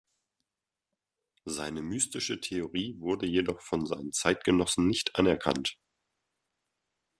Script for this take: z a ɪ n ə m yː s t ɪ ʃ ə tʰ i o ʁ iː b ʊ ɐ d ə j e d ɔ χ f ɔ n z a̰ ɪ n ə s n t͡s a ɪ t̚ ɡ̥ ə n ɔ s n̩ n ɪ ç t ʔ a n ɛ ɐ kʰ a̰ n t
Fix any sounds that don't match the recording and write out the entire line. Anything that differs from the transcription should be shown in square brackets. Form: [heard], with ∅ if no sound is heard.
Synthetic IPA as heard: z a ɪ n ə m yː s t ɪ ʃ ə tʰ [e] o ʁ iː [v] ʊ ɐ d ə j e d ɔ χ f ɔ n z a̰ ɪ n ə [∅] n t͡s a ɪ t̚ ɡ̥ ə n ɔ s n̩ n ɪ ç t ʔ a n ɛ ɐ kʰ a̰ n t